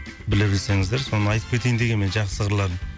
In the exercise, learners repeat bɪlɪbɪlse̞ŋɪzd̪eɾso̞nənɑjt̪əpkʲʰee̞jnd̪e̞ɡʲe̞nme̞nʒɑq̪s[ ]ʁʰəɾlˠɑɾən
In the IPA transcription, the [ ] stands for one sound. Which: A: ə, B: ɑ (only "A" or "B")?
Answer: A